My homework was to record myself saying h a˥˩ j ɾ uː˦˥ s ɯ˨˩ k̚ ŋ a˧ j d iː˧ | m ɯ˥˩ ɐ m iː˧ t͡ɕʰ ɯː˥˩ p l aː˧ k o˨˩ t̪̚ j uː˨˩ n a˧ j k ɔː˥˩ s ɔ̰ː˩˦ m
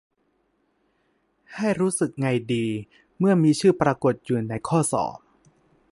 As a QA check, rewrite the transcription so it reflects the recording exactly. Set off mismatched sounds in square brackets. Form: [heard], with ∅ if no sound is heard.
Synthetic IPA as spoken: h a˥˩ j ɾ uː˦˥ s ɯ˨˩ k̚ ŋ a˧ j d iː˧ | m ɯ˥˩ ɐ m iː˧ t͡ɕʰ ɯː˥˩ p [ɾ] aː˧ k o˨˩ t̪̚ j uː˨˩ n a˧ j [kʰ] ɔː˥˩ s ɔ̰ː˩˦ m